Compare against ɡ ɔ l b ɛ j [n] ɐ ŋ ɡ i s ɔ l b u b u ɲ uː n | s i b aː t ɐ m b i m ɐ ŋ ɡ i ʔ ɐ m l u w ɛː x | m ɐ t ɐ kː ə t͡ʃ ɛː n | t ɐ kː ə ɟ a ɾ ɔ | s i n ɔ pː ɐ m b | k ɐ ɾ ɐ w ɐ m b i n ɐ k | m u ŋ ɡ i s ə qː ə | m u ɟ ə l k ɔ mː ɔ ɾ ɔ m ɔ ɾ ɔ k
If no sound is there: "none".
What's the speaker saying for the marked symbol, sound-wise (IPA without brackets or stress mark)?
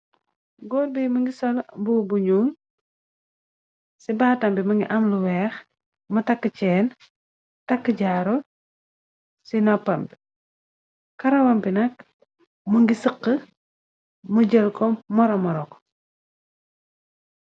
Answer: m